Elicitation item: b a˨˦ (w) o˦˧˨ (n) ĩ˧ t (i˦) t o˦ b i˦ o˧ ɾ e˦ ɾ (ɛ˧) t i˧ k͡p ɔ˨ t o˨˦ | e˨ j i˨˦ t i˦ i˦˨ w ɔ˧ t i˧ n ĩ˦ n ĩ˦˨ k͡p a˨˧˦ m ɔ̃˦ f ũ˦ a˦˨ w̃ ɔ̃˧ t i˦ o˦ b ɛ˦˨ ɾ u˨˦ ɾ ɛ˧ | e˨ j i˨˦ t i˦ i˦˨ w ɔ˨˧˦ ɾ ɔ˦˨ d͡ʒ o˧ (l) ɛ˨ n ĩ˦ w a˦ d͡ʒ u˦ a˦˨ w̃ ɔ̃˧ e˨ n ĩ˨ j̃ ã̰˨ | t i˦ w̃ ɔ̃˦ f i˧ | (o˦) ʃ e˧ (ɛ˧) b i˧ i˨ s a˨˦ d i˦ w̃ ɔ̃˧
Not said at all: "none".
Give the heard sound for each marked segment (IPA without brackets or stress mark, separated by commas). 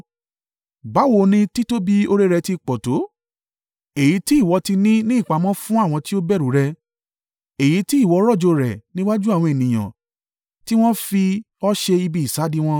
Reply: w, n, i˦, ɛ˧, ɾ, ɔ˦, i˧